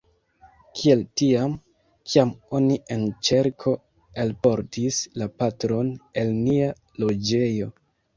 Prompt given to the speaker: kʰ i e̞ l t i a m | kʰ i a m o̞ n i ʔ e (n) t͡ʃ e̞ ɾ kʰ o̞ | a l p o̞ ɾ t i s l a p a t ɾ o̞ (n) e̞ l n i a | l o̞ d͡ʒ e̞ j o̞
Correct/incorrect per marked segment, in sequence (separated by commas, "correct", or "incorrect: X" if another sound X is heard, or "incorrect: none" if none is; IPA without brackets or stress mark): correct, correct